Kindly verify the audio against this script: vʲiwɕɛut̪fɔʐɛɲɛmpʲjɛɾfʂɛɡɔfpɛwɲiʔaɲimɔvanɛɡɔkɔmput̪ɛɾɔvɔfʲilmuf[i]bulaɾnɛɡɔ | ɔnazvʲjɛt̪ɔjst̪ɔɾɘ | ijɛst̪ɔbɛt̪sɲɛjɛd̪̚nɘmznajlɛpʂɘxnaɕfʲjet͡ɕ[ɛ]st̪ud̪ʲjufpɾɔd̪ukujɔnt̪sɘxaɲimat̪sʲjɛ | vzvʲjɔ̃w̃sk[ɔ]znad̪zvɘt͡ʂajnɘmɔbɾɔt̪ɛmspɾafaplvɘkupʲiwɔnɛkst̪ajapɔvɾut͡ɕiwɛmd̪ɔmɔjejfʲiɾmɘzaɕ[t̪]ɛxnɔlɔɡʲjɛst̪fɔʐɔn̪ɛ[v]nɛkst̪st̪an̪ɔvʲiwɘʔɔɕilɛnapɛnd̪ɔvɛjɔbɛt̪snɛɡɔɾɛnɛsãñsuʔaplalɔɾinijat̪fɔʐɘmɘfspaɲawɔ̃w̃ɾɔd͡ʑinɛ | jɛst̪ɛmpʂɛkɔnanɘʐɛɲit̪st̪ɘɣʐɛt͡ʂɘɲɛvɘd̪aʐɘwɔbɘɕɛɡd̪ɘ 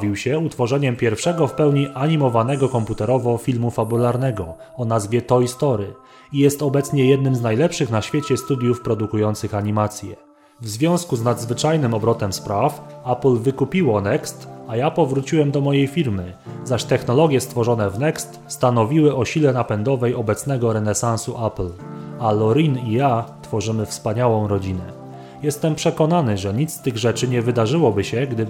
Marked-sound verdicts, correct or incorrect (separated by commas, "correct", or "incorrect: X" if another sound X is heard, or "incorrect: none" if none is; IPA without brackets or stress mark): incorrect: a, correct, incorrect: u, correct, correct